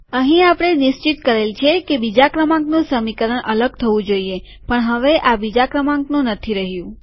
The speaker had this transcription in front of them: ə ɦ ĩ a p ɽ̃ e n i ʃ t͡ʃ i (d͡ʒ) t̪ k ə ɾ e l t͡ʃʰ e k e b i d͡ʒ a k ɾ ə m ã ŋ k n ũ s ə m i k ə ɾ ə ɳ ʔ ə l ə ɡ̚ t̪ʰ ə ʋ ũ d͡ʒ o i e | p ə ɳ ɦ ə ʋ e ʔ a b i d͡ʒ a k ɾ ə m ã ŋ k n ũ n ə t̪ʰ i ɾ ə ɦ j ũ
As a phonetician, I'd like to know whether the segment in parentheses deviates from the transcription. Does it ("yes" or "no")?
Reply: yes